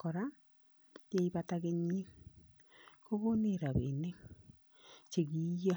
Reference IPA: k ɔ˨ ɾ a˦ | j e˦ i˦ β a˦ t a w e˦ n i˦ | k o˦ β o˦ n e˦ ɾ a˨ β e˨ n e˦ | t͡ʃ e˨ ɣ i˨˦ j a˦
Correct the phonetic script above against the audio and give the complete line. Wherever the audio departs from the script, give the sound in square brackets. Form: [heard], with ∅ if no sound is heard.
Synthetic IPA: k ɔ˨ ɾ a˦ | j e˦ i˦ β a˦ t a [ɣ] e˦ [ɲ] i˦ | k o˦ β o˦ n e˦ ɾ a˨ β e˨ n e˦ | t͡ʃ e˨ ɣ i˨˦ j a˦